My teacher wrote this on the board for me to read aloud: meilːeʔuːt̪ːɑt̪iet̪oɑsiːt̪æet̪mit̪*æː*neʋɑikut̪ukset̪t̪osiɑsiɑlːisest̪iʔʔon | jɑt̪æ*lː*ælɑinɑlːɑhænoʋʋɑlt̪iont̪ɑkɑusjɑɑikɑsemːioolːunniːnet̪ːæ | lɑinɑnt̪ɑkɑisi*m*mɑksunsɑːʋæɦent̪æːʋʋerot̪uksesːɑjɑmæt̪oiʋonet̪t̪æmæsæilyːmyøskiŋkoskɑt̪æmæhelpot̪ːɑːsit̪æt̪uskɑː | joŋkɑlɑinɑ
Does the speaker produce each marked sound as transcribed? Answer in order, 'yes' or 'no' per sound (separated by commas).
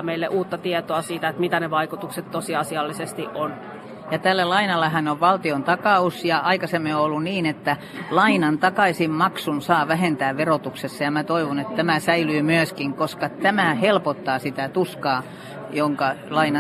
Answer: no, yes, yes